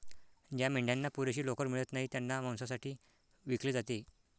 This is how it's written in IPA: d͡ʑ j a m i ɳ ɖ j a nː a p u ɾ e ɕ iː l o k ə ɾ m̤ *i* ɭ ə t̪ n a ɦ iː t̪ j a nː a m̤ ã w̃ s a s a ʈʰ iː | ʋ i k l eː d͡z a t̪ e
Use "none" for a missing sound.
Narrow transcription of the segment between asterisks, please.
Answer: i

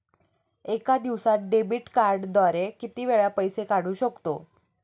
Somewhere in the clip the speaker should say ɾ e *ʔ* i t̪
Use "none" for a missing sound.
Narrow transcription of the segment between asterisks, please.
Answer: k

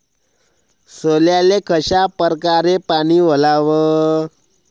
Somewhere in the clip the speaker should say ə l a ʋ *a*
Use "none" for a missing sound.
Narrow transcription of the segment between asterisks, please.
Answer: ə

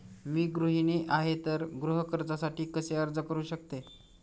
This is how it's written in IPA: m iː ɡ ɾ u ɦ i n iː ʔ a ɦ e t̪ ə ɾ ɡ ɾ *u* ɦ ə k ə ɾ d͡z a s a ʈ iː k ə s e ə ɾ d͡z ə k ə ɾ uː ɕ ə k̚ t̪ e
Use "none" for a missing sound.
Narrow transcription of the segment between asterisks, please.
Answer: u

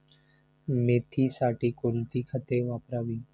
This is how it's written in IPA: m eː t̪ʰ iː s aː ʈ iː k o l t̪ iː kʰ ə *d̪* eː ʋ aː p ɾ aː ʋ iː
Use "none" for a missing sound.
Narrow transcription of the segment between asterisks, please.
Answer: t̪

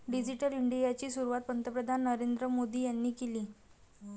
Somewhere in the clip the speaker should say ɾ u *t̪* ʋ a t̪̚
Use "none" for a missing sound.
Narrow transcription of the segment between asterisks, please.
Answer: none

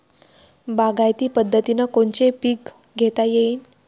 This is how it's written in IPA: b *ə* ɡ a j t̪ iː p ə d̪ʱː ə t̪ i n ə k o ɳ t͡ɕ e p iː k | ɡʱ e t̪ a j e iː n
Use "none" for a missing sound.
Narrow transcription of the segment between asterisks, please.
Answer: a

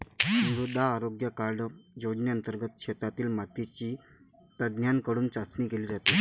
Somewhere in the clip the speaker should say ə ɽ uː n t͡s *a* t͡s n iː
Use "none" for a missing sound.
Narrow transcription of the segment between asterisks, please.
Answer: a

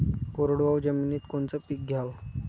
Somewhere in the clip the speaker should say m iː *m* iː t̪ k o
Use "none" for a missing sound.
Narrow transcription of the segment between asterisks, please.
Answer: n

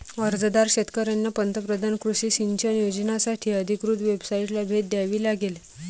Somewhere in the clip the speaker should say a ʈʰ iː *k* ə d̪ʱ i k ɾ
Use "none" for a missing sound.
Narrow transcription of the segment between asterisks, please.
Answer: none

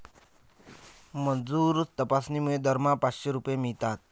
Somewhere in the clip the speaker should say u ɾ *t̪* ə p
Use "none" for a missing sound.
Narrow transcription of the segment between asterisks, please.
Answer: t̪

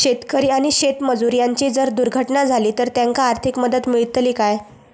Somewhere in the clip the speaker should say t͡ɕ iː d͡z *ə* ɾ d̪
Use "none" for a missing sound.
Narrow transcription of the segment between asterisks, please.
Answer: ə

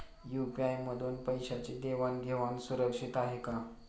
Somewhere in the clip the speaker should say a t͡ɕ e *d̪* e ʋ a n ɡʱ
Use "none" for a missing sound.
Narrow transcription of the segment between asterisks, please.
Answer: d̪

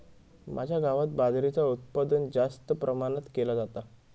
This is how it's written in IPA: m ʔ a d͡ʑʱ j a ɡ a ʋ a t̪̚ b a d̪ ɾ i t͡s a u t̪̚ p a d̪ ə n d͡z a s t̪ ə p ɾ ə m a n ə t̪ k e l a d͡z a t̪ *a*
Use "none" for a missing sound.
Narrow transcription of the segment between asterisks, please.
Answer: a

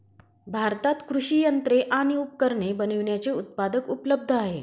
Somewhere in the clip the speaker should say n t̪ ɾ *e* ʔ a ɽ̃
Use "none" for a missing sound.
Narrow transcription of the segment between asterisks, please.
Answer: e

